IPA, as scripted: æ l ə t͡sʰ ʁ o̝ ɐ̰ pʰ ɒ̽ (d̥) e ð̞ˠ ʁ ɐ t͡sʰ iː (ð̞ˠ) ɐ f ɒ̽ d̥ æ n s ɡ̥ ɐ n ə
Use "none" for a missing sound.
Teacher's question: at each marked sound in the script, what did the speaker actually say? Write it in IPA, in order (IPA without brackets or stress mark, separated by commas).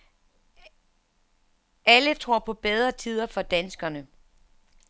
b̥, ð̞ˠ